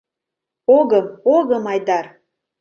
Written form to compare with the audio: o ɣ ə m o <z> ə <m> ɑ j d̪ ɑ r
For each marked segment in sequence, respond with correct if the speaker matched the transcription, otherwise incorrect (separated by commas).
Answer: incorrect, correct